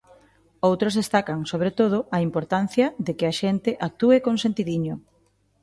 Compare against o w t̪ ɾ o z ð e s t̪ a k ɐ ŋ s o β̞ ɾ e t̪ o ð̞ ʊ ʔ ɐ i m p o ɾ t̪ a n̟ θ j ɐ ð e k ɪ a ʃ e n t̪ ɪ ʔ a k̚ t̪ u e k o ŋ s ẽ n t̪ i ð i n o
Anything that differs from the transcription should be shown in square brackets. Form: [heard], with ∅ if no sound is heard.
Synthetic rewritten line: o w t̪ ɾ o z ð e s t̪ a k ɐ ŋ s o β̞ ɾ e t̪ o ð̞ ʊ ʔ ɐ i m p o ɾ t̪ a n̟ θ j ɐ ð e k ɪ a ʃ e n t̪ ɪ ʔ a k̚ t̪ u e k o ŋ s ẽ n t̪ i ð i [ɲ] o